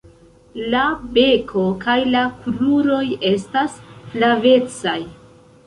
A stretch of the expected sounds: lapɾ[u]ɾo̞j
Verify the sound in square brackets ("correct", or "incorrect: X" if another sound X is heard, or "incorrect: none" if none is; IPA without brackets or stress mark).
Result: correct